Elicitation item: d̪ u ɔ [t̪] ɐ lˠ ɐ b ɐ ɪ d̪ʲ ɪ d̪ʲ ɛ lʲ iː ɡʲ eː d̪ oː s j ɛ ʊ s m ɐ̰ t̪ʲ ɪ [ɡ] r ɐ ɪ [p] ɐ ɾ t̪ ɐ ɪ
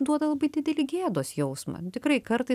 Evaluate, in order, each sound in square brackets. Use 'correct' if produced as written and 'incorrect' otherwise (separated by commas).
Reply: incorrect, incorrect, incorrect